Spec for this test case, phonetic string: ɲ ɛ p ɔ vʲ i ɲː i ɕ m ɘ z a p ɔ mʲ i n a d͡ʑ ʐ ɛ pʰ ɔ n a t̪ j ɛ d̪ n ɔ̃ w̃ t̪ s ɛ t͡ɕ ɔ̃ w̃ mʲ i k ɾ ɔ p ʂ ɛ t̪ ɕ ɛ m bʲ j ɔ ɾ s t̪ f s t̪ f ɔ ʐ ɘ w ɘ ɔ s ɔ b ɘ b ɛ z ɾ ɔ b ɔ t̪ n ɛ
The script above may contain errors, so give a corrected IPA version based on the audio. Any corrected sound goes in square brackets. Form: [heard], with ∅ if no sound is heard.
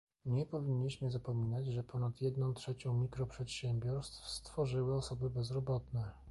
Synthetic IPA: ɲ ɛ p ɔ vʲ i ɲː i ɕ m ɘ z a p ɔ mʲ i n a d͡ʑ ʐ ɛ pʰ ɔ n a t̪ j ɛ d̪ n ɔ̃ w̃ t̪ [ʂ] ɛ t͡ɕ ɔ̃ w̃ mʲ i k ɾ ɔ p ʂ ɛ t̪ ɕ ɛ m bʲ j ɔ ɾ s t̪ f s t̪ f ɔ ʐ ɘ w ɘ ɔ s ɔ b ɘ b ɛ z ɾ ɔ b ɔ t̪ n ɛ